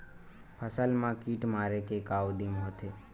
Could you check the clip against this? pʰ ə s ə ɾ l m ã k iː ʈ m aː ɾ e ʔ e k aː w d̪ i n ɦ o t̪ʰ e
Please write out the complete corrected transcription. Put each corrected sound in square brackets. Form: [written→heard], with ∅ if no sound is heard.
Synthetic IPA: pʰ ə s ə [ɾ→∅] l m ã k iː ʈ m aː ɾ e [ʔ→k] e k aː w d̪ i [n→m] ɦ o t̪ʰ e